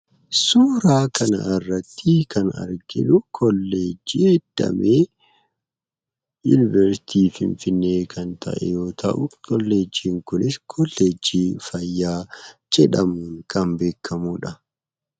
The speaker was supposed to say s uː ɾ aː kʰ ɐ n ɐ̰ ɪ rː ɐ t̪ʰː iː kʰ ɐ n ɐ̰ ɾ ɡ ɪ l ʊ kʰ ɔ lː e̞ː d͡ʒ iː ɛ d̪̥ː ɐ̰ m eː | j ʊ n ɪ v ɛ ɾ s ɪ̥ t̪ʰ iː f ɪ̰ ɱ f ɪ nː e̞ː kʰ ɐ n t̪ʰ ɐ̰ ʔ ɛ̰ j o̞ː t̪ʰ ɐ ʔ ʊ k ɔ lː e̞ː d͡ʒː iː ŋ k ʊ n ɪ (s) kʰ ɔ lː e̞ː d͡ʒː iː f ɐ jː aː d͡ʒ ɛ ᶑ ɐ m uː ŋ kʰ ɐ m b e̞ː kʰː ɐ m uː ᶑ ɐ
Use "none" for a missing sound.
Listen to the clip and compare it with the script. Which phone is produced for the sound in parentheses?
s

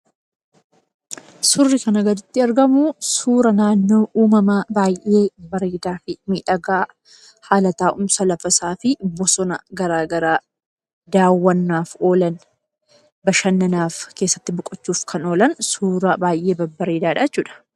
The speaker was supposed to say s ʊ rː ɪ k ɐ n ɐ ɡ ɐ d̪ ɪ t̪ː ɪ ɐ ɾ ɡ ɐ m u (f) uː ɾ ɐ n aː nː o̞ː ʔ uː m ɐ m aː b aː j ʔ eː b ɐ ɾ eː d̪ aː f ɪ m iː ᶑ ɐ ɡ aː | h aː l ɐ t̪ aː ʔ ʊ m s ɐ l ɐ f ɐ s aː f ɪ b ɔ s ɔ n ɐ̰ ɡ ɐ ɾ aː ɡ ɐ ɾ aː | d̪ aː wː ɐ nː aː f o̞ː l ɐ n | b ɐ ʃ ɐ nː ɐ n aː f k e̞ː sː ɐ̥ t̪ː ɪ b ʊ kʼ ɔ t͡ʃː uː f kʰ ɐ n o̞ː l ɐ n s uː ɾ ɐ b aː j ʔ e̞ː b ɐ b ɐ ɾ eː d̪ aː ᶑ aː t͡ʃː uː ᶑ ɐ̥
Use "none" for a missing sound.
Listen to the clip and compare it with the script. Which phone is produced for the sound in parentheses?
s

